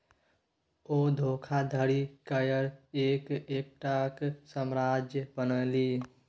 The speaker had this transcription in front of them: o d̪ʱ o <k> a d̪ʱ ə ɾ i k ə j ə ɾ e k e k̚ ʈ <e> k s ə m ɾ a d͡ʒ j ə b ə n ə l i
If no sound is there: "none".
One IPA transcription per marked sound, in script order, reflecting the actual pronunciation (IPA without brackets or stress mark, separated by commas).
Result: kʰ, a